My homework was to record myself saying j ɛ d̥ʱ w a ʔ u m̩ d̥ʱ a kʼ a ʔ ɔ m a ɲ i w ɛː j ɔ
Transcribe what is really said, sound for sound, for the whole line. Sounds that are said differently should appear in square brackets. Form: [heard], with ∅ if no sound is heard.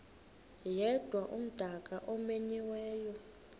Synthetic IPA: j ɛ d̥ʱ w a ʔ u m̩ d̥ʱ a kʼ a ʔ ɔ m [e] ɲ i w ɛː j ɔ

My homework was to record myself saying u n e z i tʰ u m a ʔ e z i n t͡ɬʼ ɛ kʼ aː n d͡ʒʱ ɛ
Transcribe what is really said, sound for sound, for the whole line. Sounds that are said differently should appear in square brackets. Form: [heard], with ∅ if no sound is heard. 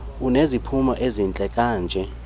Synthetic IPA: u n e z i [pʰ] u m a ʔ e z i n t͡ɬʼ ɛ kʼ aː n d͡ʒʱ ɛ

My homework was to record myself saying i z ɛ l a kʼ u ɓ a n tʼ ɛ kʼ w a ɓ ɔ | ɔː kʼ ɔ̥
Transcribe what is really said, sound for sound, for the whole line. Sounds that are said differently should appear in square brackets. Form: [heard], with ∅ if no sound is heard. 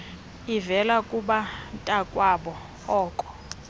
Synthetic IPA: i [v] ɛ l a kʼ u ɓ a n tʼ [a] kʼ w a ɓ ɔ | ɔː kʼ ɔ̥

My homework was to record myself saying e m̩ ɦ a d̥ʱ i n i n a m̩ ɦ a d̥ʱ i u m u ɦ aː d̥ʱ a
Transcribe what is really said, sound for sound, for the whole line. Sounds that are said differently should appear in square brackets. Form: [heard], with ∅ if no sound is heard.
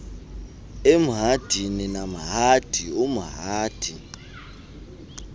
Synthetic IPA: e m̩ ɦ a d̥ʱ i n i n a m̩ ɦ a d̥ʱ i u m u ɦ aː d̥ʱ [i]

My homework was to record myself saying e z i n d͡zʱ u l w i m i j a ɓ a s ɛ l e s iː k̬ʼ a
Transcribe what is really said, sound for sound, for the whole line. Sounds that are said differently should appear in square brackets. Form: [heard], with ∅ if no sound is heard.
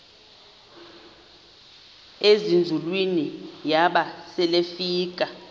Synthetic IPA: e z i n d͡zʱ u l w i [n] i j a ɓ a s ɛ l e [f] iː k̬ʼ a

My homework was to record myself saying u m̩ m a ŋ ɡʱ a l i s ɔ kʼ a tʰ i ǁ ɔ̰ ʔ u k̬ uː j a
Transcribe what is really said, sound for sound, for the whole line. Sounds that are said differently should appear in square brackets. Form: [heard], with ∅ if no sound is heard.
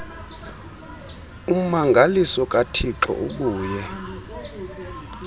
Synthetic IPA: u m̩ m a ŋ ɡʱ a l i s ɔ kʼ a tʰ i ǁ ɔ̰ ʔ u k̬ uː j [ɛ]

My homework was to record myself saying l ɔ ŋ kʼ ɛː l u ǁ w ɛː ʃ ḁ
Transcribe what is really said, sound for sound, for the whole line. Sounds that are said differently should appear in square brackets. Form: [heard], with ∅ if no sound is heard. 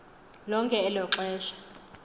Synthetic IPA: l ɔ ŋ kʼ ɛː l [ɔ] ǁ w ɛː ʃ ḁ

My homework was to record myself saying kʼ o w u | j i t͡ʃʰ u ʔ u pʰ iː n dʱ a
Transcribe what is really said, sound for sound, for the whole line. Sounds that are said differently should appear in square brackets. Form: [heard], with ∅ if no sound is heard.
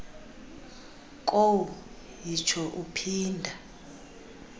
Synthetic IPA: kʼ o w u | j i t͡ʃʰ [ɔ] ʔ u pʰ iː n dʱ a

